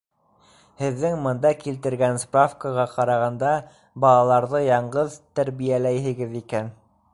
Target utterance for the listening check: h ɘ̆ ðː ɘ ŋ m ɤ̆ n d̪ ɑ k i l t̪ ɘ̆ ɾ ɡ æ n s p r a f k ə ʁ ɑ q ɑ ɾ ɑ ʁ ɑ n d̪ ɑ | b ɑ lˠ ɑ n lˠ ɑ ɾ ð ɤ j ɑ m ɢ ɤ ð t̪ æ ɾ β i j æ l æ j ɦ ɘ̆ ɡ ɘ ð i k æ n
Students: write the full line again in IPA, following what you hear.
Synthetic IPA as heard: h ɘ̆ ðː ɘ ŋ m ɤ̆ n d̪ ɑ k i l t̪ ɘ̆ ɾ ɡ æ n s p r a f k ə ʁ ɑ q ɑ ɾ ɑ ʁ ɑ n d̪ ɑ | b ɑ lˠ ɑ lˠ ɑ ɾ ð ɤ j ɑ ɴ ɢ ɤ ð t̪ æ ɾ β i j æ l æ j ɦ ɘ̆ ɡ ɘ ð i k æ n